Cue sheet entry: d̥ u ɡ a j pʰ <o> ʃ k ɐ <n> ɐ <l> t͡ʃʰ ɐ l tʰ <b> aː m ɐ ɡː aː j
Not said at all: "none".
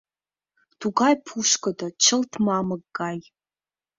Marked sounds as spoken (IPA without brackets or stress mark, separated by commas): u, d, none, m